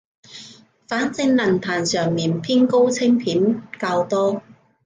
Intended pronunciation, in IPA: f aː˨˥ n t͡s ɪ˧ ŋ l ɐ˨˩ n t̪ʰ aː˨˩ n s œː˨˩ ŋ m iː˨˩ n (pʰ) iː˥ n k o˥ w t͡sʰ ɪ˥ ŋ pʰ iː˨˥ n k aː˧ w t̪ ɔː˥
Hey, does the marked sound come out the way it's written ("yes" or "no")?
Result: yes